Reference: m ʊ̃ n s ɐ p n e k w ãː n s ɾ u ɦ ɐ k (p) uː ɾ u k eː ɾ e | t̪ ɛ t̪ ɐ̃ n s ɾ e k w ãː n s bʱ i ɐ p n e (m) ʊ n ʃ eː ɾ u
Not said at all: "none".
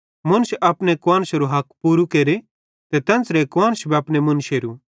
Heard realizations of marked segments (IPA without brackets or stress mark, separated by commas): p, m